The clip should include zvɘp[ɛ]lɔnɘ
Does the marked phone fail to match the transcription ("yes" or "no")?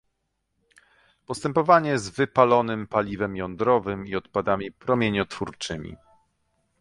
yes